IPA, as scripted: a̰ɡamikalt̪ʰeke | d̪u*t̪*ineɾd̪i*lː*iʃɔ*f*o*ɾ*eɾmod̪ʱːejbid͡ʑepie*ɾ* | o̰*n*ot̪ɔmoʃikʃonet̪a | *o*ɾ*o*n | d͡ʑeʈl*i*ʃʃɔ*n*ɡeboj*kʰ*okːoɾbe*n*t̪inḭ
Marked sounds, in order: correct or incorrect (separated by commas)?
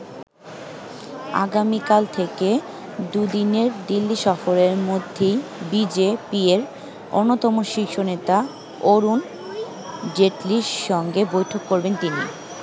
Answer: incorrect, correct, correct, correct, correct, incorrect, correct, incorrect, correct, incorrect, incorrect, correct